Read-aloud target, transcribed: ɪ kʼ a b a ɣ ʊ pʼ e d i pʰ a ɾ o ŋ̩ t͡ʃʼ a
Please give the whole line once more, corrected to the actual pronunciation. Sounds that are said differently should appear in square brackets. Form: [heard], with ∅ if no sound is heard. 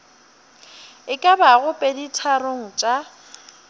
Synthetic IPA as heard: ɪ kʼ a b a ɣ ʊ pʼ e d i [tʰ] a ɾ o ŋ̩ t͡ʃʼ a